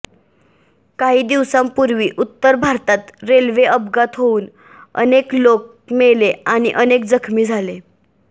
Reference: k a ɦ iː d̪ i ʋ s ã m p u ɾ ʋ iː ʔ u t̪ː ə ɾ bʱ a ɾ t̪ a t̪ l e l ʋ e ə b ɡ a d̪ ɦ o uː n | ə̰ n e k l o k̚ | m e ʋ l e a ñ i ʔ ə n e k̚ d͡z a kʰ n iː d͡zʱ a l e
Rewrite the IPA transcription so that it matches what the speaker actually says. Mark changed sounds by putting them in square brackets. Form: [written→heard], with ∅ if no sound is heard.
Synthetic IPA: k a ɦ iː d̪ i ʋ s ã m p u ɾ ʋ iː ʔ u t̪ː ə ɾ bʱ a ɾ t̪ a t̪ [l→ɾ] e l ʋ e ə b ɡ a [d̪→t̪] ɦ o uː n | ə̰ n e k l o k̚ | m e [ʋ→∅] l e a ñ i ʔ ə n e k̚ d͡z [a→ə] kʰ [n→m] iː d͡zʱ a l e

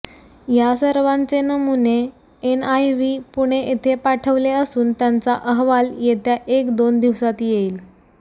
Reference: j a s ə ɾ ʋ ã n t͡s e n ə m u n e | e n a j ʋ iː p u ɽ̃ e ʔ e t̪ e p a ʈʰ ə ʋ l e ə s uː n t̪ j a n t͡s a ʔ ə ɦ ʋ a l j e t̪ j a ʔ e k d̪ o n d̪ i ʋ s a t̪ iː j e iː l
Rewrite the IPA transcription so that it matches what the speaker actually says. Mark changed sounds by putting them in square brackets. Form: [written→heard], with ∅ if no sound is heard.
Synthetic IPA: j a s ə ɾ ʋ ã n t͡s e n ə m u n e | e n a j ʋ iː p u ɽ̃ e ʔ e [t̪→t̪ʰ] e p a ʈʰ ə ʋ l e ə s uː n t̪ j a n t͡s a ʔ ə ɦ ʋ a l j e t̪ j a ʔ e k d̪ o n d̪ i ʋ s a t̪ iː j e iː l

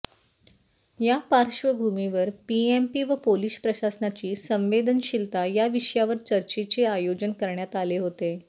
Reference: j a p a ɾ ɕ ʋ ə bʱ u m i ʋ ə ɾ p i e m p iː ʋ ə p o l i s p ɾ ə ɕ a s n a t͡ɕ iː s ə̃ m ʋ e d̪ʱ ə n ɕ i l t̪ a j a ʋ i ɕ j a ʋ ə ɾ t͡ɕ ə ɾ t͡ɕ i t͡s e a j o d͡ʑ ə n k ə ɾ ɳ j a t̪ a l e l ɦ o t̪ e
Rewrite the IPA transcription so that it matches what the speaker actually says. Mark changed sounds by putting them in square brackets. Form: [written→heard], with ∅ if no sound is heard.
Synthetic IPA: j a p a ɾ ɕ ʋ ə bʱ u m i ʋ ə ɾ p i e m p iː ʋ ə p o l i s p ɾ ə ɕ a s n a t͡ɕ iː s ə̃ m ʋ e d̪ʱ ə n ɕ i l t̪ a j a ʋ i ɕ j a ʋ ə ɾ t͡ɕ ə ɾ t͡ɕ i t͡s e a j o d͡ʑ ə n k ə ɾ ɳ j a t̪ a l e [l→∅] ɦ o t̪ e

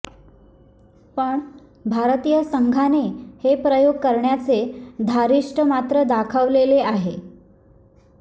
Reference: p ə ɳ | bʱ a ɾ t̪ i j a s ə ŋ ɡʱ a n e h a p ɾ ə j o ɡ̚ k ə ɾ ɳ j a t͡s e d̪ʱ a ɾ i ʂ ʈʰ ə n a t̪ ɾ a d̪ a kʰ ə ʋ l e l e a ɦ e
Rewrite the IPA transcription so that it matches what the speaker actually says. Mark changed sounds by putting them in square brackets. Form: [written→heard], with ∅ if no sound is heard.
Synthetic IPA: p ə ɳ | bʱ a ɾ t̪ i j [a→ə] s ə ŋ ɡʱ a n e h [a→e] p ɾ ə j o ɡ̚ k ə ɾ ɳ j a t͡s e d̪ʱ a ɾ i ʂ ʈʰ ə [n→m] a t̪ ɾ [a→ə] d̪ a kʰ ə ʋ l e l e a ɦ e

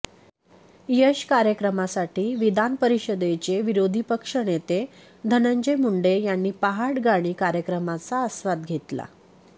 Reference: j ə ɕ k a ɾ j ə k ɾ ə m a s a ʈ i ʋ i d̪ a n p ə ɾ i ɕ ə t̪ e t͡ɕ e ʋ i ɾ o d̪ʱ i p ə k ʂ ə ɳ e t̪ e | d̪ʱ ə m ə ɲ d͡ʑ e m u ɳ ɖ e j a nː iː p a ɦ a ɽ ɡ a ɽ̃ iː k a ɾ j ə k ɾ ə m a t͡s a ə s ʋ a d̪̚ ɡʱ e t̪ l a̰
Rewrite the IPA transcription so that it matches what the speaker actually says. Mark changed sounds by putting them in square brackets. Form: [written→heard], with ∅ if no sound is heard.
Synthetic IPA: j ə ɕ k a ɾ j ə k ɾ ə m a s a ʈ [i→iː] ʋ i d̪ a n p ə ɾ i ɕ ə [t̪→d̪] e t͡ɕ e ʋ i ɾ o d̪ʱ i p ə k ʂ ə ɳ e t̪ e | d̪ʱ ə [m→n] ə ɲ d͡ʑ e m u ɳ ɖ e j a nː iː p a ɦ a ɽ ɡ a ɽ̃ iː k a ɾ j ə k ɾ ə m a t͡s a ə s ʋ a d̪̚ ɡʱ e t̪ l a̰

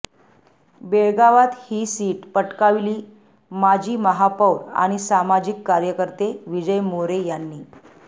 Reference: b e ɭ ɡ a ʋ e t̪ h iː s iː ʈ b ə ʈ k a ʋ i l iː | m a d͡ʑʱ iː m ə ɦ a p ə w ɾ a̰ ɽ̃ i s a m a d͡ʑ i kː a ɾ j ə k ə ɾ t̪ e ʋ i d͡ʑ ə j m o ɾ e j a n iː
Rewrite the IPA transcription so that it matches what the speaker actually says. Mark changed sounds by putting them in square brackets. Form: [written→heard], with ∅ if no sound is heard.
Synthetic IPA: b e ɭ ɡ a ʋ [e→a] t̪ h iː s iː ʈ [b→p] ə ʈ k a ʋ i l iː | m a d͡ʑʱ iː m ə ɦ a p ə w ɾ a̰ ɽ̃ i s a m a d͡ʑ i kː a ɾ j ə k ə ɾ t̪ e ʋ i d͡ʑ ə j m o ɾ e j a [n→nː] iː

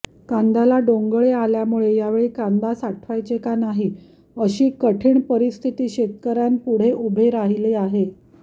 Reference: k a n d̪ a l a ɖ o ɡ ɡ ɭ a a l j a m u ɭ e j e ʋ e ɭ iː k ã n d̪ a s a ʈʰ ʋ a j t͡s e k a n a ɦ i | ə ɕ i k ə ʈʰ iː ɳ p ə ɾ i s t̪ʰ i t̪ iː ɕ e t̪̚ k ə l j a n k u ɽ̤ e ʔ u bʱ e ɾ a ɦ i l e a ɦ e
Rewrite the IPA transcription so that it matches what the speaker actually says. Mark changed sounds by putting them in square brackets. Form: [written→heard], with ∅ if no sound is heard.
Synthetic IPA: k a n d̪ a l a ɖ o [ɡ→ŋ] ɡ ɭ [a→e] a l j a m u ɭ e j [e→a] ʋ e ɭ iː k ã n d̪ a s a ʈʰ ʋ a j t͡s e k a n a ɦ i | ə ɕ [i→iː] k ə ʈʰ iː ɳ p ə ɾ i s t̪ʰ i t̪ iː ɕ e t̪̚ k ə [l→ɾ] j a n [k→p] u ɽ̤ e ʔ u bʱ e ɾ a ɦ i l e a ɦ e

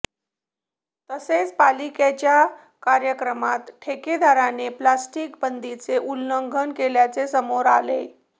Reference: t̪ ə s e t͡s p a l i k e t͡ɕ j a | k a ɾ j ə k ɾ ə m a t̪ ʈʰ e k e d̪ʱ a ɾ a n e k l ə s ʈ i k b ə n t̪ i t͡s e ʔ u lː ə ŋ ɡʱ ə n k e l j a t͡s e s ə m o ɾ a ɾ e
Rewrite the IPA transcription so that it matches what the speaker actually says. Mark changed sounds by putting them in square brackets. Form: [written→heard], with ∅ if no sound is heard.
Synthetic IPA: t̪ ə s e t͡s p a l i k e t͡ɕ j a | k a ɾ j ə k ɾ ə m a t̪ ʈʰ e k e d̪ʱ a ɾ a n e [k→p] l [ə→a] s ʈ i k b ə n [t̪→d̪] i t͡s e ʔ u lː ə ŋ ɡʱ ə n k e l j a t͡s e s ə m o ɾ a [ɾ→l] e

